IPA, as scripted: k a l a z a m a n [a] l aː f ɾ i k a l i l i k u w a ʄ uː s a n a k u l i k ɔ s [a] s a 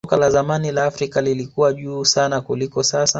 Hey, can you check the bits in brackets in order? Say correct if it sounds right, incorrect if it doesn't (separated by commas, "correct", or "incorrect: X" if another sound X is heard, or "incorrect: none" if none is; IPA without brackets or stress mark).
incorrect: i, correct